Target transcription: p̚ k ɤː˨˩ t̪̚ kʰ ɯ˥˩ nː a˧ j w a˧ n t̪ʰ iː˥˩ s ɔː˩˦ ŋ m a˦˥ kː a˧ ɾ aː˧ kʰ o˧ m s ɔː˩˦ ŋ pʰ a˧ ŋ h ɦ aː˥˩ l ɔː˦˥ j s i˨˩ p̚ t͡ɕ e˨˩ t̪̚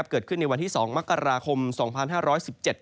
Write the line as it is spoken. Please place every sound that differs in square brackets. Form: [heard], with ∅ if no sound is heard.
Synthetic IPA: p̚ k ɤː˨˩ t̪̚ kʰ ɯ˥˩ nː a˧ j w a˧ n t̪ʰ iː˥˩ s ɔː˩˦ ŋ m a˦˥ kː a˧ ɾ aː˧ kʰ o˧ m s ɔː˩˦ ŋ pʰ a˧ [n] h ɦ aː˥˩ [ɾ] ɔː˦˥ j s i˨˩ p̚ t͡ɕ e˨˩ t̪̚